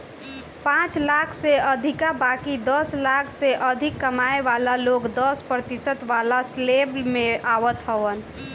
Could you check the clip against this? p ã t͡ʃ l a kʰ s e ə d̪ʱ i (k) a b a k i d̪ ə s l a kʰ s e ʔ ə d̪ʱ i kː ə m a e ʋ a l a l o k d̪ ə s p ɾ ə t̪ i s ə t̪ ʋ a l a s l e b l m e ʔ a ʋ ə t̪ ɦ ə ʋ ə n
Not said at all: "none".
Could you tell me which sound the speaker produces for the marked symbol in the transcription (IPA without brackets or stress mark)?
k